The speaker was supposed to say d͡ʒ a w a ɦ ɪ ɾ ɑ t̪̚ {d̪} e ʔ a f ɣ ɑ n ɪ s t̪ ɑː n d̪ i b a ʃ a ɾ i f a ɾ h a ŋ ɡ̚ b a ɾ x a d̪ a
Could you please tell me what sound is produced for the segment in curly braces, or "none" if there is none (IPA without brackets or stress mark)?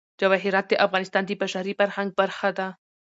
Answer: d̪